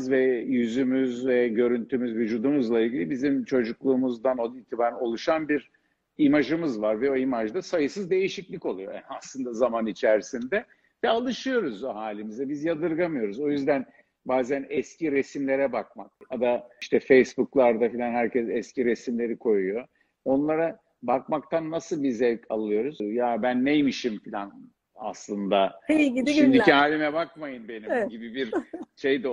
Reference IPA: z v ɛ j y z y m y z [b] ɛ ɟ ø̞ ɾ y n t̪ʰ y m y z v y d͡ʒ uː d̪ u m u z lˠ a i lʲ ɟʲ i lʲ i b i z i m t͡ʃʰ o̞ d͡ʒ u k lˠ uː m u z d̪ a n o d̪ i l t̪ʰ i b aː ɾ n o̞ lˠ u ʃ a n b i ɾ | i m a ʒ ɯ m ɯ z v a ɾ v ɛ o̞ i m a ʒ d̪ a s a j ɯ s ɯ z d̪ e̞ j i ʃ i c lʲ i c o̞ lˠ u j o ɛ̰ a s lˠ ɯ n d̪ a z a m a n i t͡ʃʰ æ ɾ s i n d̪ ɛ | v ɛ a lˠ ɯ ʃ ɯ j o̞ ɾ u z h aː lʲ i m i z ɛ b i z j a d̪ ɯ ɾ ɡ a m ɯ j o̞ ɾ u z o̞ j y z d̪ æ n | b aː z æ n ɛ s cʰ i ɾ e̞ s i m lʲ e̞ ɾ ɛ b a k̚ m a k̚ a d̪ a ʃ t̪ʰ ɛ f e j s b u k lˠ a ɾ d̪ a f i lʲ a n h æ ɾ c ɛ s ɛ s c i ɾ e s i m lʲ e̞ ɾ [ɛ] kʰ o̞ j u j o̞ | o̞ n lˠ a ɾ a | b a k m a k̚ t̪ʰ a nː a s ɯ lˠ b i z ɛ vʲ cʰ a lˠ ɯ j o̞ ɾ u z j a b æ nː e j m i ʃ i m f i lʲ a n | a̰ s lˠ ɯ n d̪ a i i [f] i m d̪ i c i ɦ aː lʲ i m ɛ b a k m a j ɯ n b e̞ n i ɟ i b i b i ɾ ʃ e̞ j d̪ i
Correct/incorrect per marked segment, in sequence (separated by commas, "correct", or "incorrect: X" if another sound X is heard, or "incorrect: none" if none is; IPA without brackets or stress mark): incorrect: v, incorrect: i, incorrect: ʃ